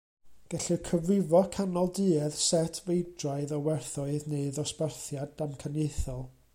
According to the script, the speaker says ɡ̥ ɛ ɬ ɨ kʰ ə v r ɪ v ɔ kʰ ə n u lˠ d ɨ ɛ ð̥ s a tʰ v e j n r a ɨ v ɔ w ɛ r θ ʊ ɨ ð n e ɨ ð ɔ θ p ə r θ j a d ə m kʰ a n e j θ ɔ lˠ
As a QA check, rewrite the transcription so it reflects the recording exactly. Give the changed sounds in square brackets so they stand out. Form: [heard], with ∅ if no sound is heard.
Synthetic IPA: ɡ̥ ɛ ɬ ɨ kʰ ə v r ɪ v ɔ kʰ [a] n [ɔ] lˠ d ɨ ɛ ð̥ s [ɛ] tʰ v e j [d] r a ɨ [ð] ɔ w ɛ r θ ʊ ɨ ð n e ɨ ð ɔ [s] p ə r θ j a d [a] m kʰ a n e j θ ɔ lˠ